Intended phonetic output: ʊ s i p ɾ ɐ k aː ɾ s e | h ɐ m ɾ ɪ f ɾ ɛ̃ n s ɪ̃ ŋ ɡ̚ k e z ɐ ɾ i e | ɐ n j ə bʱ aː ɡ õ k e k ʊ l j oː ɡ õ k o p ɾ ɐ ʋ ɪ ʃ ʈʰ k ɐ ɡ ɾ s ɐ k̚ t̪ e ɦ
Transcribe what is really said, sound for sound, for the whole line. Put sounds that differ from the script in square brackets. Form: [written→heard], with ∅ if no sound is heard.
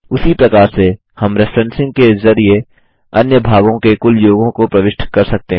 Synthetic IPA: ʊ s i p ɾ ɐ k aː ɾ s e | h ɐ m ɾ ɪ f ɾ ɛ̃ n s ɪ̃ ŋ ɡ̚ k e z ɐ ɾ i e | ɐ n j ə bʱ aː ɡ õ k e k ʊ l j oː ɡ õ k o p ɾ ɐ ʋ ɪ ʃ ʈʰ k ɐ [ɡ→∅] ɾ s ɐ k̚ t̪ e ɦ